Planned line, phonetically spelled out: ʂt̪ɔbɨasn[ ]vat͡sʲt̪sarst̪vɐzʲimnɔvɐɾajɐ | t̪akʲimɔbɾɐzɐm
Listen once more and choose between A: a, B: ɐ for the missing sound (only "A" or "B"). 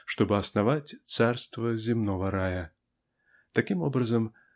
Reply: A